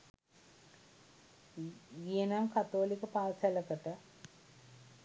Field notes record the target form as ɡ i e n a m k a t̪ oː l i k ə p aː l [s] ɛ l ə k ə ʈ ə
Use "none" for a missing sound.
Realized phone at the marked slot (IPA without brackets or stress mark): s